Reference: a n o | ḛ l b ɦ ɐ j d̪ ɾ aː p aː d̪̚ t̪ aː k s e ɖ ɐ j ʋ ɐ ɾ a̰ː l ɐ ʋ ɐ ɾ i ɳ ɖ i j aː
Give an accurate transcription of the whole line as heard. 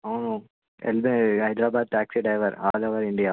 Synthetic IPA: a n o | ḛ l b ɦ ɐ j d̪ ɾ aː b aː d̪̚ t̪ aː k s i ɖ ɐ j ʋ ɐ ɾ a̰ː l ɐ ʋ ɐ ɾ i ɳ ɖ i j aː